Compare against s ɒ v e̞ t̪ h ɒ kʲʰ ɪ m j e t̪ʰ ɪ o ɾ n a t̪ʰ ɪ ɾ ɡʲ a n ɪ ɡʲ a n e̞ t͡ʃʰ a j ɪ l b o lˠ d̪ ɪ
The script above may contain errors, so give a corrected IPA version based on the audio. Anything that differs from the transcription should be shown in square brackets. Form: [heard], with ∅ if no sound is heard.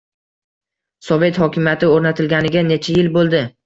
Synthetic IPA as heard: s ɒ v e̞ t̪ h ɒ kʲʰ ɪ m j [a] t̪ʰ ɪ o ɾ n a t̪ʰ ɪ [l] ɡʲ a n ɪ ɡʲ a n e̞ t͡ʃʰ a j ɪ l b o lˠ d̪ ɪ